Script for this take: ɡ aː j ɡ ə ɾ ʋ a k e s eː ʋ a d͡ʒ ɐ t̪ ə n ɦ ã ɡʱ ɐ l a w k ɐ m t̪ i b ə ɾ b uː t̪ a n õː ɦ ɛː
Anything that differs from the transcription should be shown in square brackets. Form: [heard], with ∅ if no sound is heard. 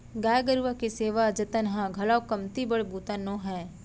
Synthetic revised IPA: ɡ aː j ɡ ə ɾ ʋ a k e s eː ʋ a d͡ʒ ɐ t̪ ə n ɦ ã ɡʱ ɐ l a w k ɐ m t̪ i b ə [ɽ] b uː t̪ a n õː ɦ ɛː